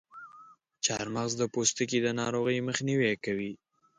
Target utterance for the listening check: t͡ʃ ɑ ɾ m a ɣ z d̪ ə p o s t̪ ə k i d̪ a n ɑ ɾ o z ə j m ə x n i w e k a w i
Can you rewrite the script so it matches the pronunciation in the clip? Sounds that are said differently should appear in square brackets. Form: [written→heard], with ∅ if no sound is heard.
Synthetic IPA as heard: t͡ʃ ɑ ɾ m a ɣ z d̪ ə p o s t̪ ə k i d̪ [a→ə] n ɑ ɾ o [z→ɣ] ə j m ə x n i w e k a w i

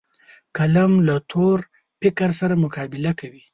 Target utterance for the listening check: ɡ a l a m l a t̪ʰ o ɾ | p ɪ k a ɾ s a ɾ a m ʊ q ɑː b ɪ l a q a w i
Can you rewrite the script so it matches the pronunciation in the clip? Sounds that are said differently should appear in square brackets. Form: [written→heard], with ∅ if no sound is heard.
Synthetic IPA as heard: [ɡ→k] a l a m l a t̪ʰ o ɾ | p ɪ k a ɾ s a ɾ a m ʊ [q→k] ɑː b ɪ l a [q→k] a w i

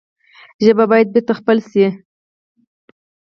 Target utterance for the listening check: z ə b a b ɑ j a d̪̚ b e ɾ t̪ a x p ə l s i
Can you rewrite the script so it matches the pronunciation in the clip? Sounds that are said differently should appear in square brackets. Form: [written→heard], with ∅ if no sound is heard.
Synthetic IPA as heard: [z→ʒ] ə b a b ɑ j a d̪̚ b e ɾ t̪ a x p ə l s i

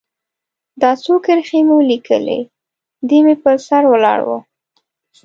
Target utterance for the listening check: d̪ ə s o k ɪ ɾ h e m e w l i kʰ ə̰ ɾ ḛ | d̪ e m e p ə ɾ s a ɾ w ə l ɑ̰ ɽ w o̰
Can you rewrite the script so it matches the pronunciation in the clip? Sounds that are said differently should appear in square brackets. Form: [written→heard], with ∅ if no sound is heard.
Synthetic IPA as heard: d̪ [ə→ɑ] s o k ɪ ɾ [h→x] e m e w l i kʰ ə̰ [ɾ→l] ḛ | d̪ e m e p ə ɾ s a ɾ w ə l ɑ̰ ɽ w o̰

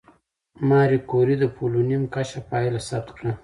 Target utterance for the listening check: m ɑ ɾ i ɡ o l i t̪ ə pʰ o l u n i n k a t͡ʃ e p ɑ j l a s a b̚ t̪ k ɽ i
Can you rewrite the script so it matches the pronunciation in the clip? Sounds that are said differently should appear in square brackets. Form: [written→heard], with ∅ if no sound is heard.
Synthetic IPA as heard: m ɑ ɾ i [ɡ→k] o [l→ɾ] i [t̪→d̪] ə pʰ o l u n i [n→m] k a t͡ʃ [e→a] p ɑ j l a s a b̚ t̪ k ɽ [i→a]

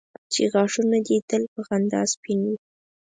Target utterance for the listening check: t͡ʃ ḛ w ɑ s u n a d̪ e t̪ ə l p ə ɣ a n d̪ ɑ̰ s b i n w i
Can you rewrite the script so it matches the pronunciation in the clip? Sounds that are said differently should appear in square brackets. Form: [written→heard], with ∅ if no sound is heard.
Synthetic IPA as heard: t͡ʃ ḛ [w→ɣ] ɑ [s→ʂ] u n a d̪ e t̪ ə l p ə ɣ a n d̪ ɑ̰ s [b→p] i n w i

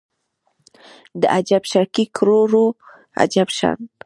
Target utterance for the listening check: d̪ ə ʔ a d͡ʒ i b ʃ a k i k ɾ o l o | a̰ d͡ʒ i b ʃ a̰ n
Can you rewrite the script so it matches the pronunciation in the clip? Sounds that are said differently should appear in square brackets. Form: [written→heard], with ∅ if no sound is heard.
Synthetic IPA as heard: d̪ ə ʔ a d͡ʒ [i→a] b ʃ a k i k ɾ o [l→ɾ] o | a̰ d͡ʒ [i→a] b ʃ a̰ n

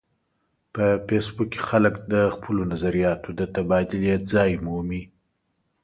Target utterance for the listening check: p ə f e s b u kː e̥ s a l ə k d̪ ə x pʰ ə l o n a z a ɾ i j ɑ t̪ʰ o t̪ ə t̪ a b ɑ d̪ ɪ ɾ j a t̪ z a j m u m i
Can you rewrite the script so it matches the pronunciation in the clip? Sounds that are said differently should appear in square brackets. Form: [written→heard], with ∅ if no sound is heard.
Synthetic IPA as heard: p ə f e s b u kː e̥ [s→x] a l ə k d̪ ə x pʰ ə l o n a z a ɾ i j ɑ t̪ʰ o [t̪→d̪] ə t̪ a b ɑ d̪ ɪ [ɾ→l] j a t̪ z [a→ɑ] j m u m i

